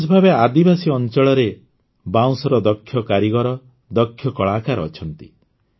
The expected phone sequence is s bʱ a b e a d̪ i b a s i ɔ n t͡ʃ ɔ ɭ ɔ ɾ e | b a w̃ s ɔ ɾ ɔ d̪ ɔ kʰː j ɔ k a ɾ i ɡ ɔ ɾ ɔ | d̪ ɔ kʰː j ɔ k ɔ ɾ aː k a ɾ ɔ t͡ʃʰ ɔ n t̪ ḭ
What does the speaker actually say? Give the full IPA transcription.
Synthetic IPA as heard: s bʱ a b e a d̪ i b a s i ɔ n t͡ʃ ɔ ɭ ɔ ɾ e | b a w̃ s ɔ ɾ ɔ d̪ ɔ kʰː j ɔ k a ɾ i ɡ ɔ ɾ ɔ | d̪ ɔ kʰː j ɔ k ɔ ɭ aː k a ɾ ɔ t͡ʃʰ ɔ n t̪ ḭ